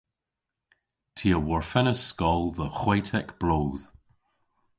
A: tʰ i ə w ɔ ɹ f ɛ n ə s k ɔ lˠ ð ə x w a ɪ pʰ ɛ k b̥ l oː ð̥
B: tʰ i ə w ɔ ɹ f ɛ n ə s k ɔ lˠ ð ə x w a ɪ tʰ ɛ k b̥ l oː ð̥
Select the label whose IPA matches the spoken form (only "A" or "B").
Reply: B